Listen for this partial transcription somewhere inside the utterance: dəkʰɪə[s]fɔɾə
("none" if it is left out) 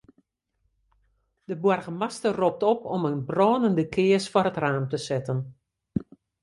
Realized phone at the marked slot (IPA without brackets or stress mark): s